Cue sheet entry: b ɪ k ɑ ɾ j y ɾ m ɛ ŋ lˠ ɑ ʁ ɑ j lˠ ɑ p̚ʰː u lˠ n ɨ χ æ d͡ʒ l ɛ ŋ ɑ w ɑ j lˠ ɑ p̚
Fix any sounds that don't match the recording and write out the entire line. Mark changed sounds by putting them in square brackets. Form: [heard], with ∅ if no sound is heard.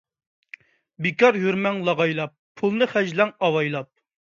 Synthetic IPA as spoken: b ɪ k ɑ ɾ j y ɾ m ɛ ŋ lˠ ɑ ʁ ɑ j lˠ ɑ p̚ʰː u lˠ n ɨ χ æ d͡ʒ l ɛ ŋ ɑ w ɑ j lˠ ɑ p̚